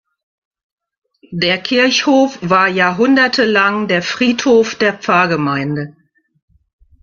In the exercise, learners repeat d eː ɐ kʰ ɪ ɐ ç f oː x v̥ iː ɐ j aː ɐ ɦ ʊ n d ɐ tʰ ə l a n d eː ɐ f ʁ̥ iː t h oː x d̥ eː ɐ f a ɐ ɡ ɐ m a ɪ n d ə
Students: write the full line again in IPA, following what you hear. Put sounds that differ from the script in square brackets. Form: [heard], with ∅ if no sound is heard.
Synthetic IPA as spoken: d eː ɐ kʰ ɪ ɐ ç [h] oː [f] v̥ [aː] ɐ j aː ɐ ɦ ʊ n d ɐ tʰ ə l a [ŋ] d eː ɐ f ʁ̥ iː t h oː [f] d̥ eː ɐ [p͡f] a ɐ ɡ [ə] m a ɪ n d ə

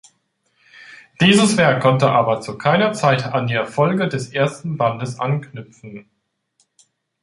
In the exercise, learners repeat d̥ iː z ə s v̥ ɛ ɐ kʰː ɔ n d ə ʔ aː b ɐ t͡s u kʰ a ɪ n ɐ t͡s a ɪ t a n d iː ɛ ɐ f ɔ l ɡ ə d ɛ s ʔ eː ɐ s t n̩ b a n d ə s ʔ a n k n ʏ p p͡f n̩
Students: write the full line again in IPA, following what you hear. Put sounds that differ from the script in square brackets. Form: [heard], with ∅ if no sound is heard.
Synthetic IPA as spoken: d̥ iː z ə s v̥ ɛ ɐ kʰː ɔ n [t] ə ʔ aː b ɐ t͡s u kʰ a ɪ n ɐ t͡s a ɪ t a n d iː ɛ ɐ f ɔ l ɡ ə d ɛ s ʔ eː ɐ s t n̩ b a n d ə s ʔ a n k n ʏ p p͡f n̩

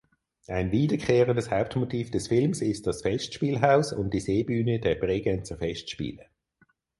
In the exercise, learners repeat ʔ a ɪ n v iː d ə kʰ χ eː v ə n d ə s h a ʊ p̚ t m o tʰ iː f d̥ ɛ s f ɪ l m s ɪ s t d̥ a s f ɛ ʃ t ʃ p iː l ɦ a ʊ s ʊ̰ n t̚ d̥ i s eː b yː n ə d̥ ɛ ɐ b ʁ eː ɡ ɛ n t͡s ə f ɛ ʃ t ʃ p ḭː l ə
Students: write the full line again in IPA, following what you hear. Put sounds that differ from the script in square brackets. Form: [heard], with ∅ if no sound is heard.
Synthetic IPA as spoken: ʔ a ɪ n v iː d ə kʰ χ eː [ʁ] ə n d ə s h a ʊ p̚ t m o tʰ iː f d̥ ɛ s f ɪ l m s ɪ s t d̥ [ɑ] s f ɛ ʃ t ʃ p iː l ɦ a ʊ s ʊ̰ n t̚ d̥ i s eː b yː n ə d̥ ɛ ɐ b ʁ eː ɡ ɛ n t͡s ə f ɛ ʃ t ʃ p ḭː l ə

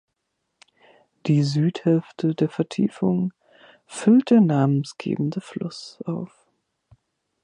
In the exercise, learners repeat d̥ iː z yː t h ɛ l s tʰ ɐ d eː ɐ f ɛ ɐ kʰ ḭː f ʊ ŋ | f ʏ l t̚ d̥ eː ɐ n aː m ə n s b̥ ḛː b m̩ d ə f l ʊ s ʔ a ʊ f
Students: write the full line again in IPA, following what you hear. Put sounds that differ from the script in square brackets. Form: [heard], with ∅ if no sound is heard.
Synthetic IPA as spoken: d̥ iː z yː t h ɛ l [f] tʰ [ə] d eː ɐ f ɛ ɐ [tʰ] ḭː f ʊ ŋ | f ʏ l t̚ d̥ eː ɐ n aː m ə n s [ɡ̥] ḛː b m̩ d ə f l ʊ s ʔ a ʊ f

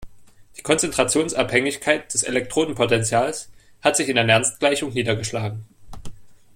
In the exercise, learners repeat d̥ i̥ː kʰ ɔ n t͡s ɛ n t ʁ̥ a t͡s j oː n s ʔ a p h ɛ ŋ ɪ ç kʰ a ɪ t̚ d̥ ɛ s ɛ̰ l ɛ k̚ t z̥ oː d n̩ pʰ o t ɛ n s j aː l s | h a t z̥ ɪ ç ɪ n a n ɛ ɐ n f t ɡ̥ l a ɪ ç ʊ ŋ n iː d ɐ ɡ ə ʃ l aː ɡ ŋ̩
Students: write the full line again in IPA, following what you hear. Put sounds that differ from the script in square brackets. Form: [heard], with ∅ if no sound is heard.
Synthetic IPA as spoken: d̥ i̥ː kʰ ɔ n t͡s ɛ n t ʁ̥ a t͡s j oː n s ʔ a p h ɛ ŋ ɪ ç kʰ a ɪ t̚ d̥ ɛ s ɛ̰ l ɛ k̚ t [ʁ̥] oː d n̩ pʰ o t ɛ n [t͡s] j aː l s | h a t z̥ ɪ ç ɪ n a n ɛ ɐ n [s] t ɡ̥ l a ɪ ç ʊ ŋ n iː d ɐ ɡ ə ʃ l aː ɡ ŋ̩

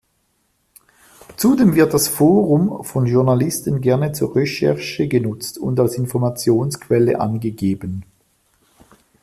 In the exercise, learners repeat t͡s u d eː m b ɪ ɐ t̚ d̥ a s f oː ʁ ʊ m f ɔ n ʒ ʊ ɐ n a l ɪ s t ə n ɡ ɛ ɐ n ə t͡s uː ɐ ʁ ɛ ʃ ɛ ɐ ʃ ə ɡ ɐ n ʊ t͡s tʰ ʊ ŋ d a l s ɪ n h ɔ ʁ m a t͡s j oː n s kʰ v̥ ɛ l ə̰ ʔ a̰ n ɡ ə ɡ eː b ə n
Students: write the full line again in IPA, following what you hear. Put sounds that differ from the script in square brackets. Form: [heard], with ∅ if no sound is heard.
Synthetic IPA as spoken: t͡s u d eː m [v] ɪ ɐ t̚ d̥ a s f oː ʁ ʊ m f ɔ n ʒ ʊ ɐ n a l ɪ s t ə n ɡ ɛ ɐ n ə t͡s uː ɐ ʁ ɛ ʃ ɛ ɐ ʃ ə ɡ [ə] n ʊ t͡s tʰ ʊ [n] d a l s ɪ n [f] ɔ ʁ m a t͡s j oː n s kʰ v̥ ɛ l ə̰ ʔ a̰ n ɡ ə ɡ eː b ə n

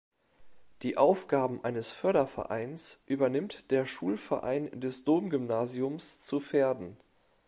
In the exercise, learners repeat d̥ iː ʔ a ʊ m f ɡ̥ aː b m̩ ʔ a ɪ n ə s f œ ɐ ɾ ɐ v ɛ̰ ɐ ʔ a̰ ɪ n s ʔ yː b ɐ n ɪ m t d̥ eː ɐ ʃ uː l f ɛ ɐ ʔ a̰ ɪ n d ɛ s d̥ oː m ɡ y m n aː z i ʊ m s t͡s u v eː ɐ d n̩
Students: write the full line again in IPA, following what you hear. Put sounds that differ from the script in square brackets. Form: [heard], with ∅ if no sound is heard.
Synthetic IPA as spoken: d̥ iː ʔ a ʊ [∅] f ɡ̥ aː b m̩ ʔ a ɪ n ə s f œ ɐ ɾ ɐ [f] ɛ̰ ɐ ʔ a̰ ɪ n s ʔ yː b ɐ n ɪ m t d̥ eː ɐ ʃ uː l f ɛ ɐ ʔ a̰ ɪ n d ɛ s d̥ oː m ɡ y m n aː z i ʊ m s t͡s u [f] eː ɐ d n̩

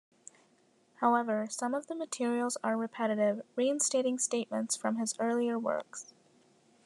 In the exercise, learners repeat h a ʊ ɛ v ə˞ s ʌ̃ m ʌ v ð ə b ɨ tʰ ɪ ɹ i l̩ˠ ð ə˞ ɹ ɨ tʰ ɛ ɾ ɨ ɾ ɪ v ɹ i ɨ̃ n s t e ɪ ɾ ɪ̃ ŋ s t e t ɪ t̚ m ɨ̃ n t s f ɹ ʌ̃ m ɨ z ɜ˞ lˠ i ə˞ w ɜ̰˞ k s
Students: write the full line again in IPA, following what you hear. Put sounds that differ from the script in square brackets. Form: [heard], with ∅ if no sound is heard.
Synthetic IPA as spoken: h a ʊ ɛ v ə˞ s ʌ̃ m ʌ v ð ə [m] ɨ tʰ ɪ ɹ i l̩ˠ [z] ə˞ ɹ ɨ [pʰ] ɛ ɾ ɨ ɾ ɪ v ɹ i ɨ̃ n s t e ɪ ɾ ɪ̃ ŋ s t e [∅] ɪ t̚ m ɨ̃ n t s f ɹ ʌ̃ m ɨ z ɜ˞ lˠ i ə˞ w ɜ̰˞ k s

